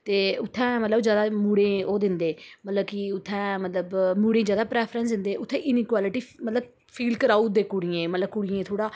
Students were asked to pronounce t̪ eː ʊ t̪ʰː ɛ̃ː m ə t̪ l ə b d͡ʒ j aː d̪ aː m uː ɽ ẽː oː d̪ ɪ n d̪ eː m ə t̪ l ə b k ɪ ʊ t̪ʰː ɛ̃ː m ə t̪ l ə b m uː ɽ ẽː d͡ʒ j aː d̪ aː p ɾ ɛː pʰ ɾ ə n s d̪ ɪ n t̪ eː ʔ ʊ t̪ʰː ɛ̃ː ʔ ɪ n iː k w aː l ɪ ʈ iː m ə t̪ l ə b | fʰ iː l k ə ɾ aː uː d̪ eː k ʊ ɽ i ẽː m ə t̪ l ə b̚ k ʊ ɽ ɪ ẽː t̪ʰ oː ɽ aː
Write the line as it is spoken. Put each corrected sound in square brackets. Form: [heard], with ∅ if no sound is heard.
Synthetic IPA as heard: t̪ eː ʊ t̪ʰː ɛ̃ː m ə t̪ l ə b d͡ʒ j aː d̪ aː m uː ɽ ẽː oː d̪ ɪ n d̪ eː m ə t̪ l ə b k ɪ ʊ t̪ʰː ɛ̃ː m ə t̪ l ə b m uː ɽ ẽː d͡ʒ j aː d̪ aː p ɾ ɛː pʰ ɾ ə n s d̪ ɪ n [d̪] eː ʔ ʊ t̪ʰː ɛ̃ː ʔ ɪ n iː k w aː l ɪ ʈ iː m ə t̪ l ə b | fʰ iː l k ə ɾ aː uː d̪ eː k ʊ ɽ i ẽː m ə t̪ l ə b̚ k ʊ ɽ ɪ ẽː t̪ʰ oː ɽ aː